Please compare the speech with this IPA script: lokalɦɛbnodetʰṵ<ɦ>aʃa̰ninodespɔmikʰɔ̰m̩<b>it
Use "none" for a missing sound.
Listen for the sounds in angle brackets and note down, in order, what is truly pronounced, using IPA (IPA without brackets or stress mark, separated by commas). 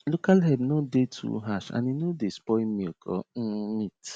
ɦ, m